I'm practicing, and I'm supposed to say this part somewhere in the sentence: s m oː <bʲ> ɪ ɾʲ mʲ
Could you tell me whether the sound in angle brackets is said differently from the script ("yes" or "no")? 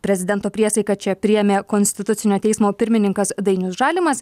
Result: yes